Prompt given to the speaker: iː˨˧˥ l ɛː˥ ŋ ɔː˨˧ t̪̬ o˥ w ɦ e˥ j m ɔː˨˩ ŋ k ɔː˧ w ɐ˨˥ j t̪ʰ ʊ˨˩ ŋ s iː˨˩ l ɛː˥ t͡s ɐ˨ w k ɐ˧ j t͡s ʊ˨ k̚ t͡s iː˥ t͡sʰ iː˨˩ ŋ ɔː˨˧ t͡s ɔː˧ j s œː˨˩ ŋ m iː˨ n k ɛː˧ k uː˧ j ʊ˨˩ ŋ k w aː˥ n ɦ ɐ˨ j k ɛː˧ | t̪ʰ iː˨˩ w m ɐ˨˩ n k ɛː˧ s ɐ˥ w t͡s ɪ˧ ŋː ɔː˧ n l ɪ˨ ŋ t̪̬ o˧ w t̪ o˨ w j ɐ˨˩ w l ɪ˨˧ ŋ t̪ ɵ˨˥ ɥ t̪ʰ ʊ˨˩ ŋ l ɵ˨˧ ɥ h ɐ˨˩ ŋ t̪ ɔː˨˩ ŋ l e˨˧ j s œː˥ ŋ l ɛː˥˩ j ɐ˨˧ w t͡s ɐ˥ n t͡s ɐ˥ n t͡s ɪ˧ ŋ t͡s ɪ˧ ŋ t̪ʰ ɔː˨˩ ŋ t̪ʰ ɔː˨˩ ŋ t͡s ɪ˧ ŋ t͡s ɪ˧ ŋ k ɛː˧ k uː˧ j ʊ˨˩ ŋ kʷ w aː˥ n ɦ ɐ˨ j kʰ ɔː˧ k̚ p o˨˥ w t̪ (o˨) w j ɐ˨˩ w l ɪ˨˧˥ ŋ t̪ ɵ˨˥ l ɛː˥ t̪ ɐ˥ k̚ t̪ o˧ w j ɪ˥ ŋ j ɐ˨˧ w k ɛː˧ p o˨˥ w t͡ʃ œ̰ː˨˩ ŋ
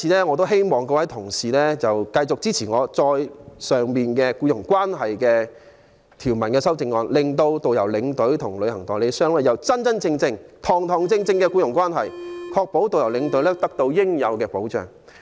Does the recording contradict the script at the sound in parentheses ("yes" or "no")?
no